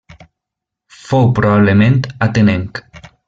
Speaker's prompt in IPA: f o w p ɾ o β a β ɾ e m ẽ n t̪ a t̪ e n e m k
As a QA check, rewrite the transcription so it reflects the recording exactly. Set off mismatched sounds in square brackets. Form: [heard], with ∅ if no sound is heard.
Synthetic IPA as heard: f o w p ɾ o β a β [l] e m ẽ n t̪ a t̪ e n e [ŋ] k